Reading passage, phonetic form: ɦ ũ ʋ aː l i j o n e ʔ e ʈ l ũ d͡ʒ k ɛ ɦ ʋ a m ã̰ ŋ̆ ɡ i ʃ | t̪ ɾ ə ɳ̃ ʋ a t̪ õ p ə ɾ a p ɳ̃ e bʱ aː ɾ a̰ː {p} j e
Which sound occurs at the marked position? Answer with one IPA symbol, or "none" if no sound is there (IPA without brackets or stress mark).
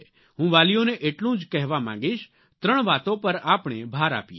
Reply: p